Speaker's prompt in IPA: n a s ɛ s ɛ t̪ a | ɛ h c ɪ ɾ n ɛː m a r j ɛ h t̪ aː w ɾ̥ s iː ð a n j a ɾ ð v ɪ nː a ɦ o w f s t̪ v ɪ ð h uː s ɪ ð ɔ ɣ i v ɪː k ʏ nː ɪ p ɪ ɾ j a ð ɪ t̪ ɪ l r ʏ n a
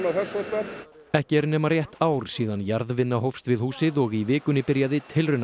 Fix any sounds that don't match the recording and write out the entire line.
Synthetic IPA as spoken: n a θ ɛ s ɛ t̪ a | ɛ h c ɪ ɾ n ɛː m a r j ɛ h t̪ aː w ɾ̥ s iː ð a n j a ɾ ð v ɪ nː a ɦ o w f s t̪ v ɪ ð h uː s ɪ ð ɔ ɣ i v ɪː k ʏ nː ɪ p ɪ ɾ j a ð ɪ t̪ʰ ɪ l r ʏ n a